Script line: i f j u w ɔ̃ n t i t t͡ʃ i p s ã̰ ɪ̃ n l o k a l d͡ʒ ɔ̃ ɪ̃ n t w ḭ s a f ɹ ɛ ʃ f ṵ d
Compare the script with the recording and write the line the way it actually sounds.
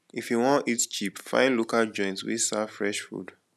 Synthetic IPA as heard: i f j u w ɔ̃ n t i t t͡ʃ i p f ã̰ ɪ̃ n l o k a l d͡ʒ ɔ̃ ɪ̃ n t w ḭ s a f ɹ ɛ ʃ f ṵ d